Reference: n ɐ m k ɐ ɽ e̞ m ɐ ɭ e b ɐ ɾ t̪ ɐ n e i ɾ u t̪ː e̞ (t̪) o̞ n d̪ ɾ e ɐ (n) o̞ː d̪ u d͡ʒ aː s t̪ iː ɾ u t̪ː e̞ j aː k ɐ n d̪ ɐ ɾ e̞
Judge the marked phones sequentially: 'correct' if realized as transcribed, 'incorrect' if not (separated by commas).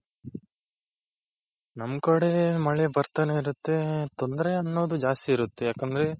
correct, incorrect